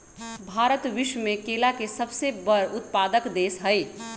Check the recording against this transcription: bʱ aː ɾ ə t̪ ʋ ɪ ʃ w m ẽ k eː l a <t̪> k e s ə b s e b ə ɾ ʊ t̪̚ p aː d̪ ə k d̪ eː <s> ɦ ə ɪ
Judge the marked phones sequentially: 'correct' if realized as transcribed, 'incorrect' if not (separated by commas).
incorrect, correct